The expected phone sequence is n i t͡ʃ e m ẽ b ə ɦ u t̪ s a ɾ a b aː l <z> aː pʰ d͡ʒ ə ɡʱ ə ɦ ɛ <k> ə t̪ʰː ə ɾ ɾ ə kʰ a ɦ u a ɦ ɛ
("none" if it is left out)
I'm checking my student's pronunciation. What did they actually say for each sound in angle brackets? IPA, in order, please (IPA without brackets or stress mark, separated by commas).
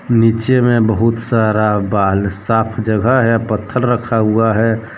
s, p